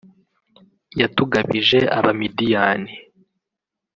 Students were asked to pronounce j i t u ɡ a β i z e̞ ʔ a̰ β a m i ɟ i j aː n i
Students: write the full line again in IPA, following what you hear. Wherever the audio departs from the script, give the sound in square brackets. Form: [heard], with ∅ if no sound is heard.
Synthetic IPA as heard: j [a] t u ɡ a β i [ʒ] e̞ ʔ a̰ β a m i [d] i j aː n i